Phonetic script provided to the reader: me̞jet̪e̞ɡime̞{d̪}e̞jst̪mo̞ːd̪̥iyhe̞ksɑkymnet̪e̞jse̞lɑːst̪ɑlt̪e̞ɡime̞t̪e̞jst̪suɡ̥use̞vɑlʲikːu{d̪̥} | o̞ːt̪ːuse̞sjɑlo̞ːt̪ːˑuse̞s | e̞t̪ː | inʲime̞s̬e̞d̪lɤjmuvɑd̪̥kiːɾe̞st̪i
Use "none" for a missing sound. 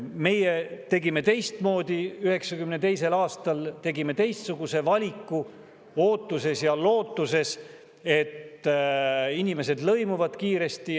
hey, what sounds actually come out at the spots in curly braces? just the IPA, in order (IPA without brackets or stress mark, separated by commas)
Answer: t̪, none